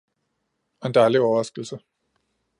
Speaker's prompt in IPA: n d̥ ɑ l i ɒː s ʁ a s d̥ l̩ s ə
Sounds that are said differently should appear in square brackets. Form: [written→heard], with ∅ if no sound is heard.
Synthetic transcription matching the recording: n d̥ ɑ l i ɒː [s→∅] ʁ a s [d̥→ɡ̥] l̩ s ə